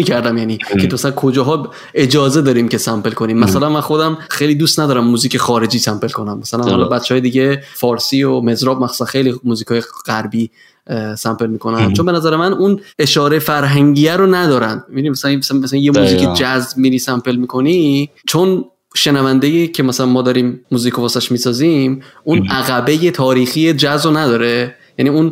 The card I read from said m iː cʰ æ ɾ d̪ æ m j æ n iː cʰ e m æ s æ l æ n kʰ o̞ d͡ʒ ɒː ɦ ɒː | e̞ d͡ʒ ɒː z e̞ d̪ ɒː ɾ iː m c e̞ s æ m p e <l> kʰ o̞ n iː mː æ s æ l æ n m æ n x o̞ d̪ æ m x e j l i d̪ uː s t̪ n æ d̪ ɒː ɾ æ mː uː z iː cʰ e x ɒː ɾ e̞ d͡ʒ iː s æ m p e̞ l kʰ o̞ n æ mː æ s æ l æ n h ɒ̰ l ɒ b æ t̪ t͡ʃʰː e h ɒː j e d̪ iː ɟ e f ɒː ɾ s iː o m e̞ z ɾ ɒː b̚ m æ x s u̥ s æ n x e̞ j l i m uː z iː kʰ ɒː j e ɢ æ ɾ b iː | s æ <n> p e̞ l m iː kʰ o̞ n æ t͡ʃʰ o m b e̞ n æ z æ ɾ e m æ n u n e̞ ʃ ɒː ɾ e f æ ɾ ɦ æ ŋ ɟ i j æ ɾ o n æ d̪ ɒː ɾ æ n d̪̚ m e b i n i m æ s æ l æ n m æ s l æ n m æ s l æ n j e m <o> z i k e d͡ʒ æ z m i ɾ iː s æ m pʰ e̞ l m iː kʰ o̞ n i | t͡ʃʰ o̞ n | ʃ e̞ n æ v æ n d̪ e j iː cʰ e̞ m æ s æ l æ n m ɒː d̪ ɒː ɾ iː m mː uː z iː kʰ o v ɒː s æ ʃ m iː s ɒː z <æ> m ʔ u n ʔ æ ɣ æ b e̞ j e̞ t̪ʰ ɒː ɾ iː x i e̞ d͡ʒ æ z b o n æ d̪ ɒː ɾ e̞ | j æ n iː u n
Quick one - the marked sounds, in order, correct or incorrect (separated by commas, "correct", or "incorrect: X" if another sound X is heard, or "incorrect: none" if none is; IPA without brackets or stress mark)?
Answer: correct, incorrect: m, incorrect: u, incorrect: i